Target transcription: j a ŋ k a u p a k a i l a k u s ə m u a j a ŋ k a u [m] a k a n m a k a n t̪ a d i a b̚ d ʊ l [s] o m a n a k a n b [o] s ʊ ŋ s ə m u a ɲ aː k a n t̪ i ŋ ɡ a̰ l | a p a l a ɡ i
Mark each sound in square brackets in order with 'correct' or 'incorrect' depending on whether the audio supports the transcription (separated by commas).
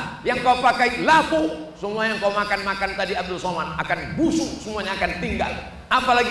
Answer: correct, correct, incorrect